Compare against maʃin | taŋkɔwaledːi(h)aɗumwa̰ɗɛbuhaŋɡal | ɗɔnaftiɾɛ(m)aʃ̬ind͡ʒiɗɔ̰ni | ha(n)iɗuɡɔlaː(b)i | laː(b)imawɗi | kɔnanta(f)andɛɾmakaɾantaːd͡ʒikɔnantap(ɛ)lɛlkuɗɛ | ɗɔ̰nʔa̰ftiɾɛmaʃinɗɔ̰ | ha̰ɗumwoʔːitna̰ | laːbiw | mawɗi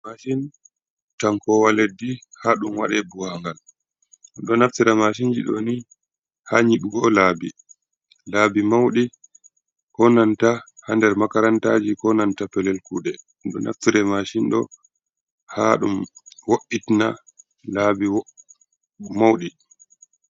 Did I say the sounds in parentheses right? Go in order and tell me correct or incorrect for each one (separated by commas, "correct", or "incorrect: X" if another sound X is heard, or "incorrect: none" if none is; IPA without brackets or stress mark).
correct, correct, incorrect: ɲ, correct, correct, incorrect: h, correct